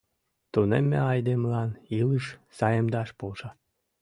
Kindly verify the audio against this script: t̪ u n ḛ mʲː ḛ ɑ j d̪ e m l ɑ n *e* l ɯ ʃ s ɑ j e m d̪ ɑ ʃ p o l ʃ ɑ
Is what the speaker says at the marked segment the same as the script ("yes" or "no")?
no